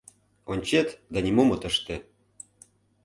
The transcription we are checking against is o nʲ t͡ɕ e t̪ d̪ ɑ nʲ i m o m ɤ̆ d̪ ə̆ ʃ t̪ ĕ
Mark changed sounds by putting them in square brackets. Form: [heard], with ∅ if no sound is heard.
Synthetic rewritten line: o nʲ t͡ɕ e t̪ d̪ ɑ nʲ i m o m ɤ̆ [t̪] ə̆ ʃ t̪ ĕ